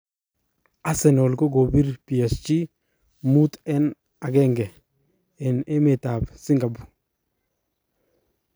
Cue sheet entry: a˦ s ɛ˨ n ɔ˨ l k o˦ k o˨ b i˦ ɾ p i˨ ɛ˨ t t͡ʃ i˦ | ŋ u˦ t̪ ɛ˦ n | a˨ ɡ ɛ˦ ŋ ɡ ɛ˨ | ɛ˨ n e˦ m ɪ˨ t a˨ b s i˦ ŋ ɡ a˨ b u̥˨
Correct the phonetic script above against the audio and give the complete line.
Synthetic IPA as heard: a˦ s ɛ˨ n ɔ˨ l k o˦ ɡ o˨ b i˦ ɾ p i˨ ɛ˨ s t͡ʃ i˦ | m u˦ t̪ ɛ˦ n | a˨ ɡ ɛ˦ ŋ ɡ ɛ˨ | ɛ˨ n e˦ m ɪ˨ t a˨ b s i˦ ŋ ɡ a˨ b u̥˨